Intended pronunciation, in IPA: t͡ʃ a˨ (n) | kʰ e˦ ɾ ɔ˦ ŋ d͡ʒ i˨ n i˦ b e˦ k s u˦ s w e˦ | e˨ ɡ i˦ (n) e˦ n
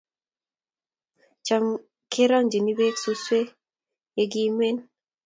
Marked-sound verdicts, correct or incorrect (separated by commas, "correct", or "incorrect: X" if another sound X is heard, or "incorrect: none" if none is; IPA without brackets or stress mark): incorrect: m, incorrect: m